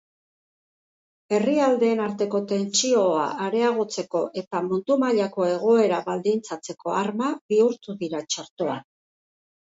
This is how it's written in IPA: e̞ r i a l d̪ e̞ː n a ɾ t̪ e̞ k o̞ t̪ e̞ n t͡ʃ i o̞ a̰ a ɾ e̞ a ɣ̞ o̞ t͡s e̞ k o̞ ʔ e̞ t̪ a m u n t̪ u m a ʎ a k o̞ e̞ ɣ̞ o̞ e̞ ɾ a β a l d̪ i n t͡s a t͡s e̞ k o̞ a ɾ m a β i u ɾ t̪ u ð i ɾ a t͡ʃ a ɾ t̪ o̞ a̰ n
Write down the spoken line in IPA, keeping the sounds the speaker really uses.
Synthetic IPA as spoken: e̞ r i a l d̪ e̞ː n a ɾ t̪ e̞ k o̞ t̪ e̞ n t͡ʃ i o̞ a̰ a ɾ e̞ a ɣ̞ o̞ t͡s e̞ k o̞ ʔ e̞ t̪ a m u n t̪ u m a ʎ a k o̞ e̞ ɣ̞ o̞ e̞ ɾ a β a l d̪ i n t͡s a t͡s e̞ k o̞ a ɾ m a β i u ɾ t̪ u ð i ɾ a t͡ʃ a ɾ t̪ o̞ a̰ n